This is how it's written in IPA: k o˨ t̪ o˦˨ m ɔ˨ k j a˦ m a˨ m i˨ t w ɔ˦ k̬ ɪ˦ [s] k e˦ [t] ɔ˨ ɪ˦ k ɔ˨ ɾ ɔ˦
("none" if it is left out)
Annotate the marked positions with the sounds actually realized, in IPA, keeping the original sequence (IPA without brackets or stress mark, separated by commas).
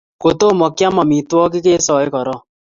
none, s